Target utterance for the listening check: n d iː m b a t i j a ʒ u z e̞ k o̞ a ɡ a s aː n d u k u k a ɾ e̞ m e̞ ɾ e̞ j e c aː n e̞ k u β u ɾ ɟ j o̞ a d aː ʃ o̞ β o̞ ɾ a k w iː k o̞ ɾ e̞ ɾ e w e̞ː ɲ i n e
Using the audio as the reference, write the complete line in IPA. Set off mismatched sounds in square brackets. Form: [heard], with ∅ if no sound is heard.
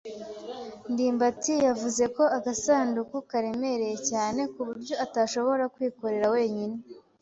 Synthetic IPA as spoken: n d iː m b a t i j a [v] u z e̞ k o̞ a ɡ a s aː n d u k u k a ɾ e̞ m e̞ ɾ e̞ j e c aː n e̞ k u β u ɾ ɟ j o̞ a [t] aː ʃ o̞ β o̞ ɾ a k w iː k o̞ ɾ e̞ ɾ [a] w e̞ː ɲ i n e